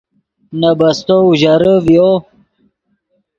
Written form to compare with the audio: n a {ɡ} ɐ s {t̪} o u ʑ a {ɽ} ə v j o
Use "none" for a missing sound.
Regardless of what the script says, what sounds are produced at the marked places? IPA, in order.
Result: b, t̪, ɾ

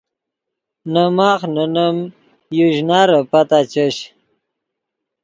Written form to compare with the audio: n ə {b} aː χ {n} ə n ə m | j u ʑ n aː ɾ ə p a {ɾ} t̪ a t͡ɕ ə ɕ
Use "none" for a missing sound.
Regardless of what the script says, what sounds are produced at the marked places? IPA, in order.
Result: m, n, none

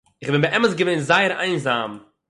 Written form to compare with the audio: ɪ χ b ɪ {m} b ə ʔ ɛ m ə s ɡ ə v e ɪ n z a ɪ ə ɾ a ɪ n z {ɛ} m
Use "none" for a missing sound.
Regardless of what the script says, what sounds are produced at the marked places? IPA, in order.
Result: n, a

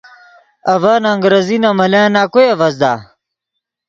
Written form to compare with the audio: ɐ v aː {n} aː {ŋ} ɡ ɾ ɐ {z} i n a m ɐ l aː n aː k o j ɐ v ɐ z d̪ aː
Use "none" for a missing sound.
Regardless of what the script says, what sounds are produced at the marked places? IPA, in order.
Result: n, ŋ, z

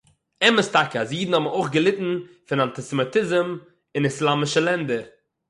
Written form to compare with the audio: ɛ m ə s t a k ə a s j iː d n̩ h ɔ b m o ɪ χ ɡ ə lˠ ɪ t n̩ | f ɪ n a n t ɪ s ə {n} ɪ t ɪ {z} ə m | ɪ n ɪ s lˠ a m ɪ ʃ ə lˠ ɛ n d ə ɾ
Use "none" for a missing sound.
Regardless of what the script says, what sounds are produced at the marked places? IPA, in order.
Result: m, z

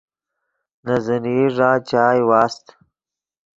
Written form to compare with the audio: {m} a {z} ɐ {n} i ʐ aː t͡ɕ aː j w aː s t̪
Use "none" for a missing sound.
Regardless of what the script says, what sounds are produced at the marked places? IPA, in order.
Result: n, z, n

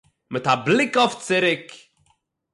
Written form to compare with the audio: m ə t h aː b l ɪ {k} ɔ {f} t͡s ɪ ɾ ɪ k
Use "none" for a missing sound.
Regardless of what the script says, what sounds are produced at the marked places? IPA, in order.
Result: k, f

